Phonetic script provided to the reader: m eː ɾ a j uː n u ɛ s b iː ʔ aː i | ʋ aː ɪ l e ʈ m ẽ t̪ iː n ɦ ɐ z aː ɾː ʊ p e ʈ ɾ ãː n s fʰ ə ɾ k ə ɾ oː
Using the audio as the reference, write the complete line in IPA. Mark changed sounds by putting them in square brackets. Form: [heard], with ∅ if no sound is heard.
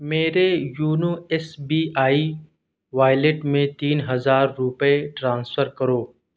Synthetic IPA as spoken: m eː ɾ [e] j uː n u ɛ s b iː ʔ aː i | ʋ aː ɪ l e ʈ m ẽ t̪ iː n ɦ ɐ z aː ɾː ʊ p e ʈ ɾ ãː n s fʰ ə ɾ k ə ɾ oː